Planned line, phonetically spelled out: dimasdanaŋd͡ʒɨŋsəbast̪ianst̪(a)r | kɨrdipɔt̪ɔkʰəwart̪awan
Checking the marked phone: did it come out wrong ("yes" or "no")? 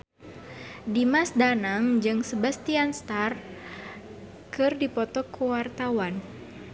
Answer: no